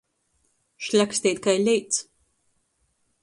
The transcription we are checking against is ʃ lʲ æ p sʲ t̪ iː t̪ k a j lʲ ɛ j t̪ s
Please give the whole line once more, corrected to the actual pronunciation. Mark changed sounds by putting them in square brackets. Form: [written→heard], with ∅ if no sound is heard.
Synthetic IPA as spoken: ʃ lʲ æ [p→k] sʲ t̪ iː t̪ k a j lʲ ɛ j t̪ s